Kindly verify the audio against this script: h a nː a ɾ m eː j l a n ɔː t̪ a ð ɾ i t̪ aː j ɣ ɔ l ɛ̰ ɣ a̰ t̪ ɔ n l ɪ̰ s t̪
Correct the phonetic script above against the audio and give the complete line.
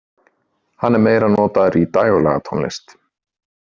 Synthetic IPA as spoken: h a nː ɛ ɾ m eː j ɾ a n ɔː t̪ a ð ɾ i t̪ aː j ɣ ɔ l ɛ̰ ɣ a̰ t̪ʰ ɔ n l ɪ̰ s t̪